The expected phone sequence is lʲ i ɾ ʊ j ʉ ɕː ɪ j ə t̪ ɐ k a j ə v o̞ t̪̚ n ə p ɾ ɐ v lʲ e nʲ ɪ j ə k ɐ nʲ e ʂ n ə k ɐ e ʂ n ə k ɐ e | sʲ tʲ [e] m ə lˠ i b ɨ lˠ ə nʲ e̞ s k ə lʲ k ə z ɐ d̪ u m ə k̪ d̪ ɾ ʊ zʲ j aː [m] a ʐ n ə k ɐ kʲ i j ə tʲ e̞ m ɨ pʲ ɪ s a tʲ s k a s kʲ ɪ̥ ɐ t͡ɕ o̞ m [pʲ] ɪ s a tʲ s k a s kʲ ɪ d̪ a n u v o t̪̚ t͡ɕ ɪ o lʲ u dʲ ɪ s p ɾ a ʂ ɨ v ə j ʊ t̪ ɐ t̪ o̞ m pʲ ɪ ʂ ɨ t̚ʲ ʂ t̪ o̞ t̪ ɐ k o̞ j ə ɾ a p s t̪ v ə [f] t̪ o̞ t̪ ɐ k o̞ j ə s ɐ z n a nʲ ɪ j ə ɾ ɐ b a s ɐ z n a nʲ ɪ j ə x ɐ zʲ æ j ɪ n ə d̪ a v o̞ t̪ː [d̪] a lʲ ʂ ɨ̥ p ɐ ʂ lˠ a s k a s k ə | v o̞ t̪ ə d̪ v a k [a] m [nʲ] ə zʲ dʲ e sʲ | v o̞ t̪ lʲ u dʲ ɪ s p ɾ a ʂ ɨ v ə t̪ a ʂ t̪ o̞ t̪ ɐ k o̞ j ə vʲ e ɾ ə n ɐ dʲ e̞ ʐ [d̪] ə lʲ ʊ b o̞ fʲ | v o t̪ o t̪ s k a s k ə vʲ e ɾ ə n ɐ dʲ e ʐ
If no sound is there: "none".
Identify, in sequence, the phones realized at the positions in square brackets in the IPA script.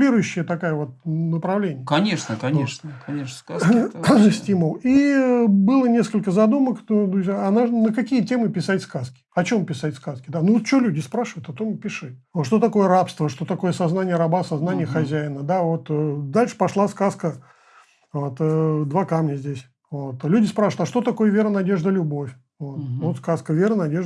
i, n, pʲ, ʂ, d̪, a, nʲ, d̪

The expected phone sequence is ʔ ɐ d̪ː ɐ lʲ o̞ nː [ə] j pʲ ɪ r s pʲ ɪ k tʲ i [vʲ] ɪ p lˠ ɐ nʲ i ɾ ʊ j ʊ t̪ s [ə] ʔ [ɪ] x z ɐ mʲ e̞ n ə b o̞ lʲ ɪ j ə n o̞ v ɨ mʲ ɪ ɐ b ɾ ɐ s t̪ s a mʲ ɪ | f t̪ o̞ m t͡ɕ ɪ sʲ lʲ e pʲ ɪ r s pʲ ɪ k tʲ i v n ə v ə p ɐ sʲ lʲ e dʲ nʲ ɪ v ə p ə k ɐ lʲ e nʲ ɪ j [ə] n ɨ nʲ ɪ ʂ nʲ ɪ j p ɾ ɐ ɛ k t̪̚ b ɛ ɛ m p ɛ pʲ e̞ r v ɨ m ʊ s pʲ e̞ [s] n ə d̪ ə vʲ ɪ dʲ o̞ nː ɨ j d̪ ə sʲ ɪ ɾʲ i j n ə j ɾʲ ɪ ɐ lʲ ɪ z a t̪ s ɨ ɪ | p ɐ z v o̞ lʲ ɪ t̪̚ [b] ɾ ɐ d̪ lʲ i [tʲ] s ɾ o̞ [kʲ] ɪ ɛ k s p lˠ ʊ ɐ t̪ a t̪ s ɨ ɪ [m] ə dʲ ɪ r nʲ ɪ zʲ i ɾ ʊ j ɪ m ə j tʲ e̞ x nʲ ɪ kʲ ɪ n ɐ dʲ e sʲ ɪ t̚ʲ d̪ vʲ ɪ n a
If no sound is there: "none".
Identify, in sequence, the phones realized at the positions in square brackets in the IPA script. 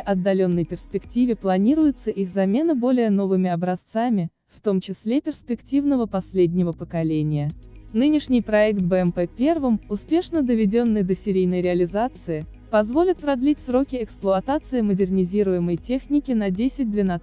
ə, vʲ, ə, i, ə, ʂ, p, tʲ, kʲ, m

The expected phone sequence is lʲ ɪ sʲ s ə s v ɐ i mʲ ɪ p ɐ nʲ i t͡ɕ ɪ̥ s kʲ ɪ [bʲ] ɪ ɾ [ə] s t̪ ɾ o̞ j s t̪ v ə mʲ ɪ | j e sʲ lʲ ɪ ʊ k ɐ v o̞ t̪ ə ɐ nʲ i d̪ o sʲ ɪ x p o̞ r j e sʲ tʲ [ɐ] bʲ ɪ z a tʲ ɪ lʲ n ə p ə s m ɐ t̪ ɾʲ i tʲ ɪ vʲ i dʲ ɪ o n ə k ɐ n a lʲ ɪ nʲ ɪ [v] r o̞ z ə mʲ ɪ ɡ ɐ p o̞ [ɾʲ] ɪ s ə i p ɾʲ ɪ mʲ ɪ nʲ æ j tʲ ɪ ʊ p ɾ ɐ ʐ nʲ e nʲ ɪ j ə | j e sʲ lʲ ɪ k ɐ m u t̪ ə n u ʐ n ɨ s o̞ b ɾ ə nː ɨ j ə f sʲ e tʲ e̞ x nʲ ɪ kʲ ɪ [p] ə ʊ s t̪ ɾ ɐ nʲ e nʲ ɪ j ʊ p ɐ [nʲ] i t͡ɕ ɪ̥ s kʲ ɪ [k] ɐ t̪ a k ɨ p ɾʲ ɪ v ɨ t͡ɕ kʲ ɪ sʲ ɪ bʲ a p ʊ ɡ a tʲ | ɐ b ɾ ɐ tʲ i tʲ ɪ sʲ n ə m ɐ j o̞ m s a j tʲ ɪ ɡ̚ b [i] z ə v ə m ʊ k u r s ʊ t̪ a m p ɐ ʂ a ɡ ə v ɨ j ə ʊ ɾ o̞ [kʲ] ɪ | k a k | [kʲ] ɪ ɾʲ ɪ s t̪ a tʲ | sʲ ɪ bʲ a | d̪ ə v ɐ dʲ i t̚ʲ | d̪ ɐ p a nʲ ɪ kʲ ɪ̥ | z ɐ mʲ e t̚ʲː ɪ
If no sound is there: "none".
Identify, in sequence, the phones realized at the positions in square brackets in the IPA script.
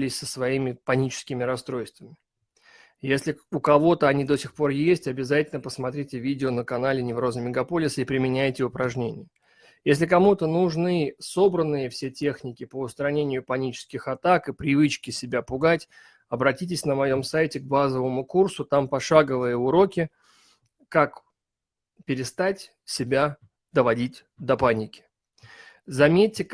mʲ, ɐ, ɐ, v, lʲ, p, nʲ, x, a, kʲ, pʲ

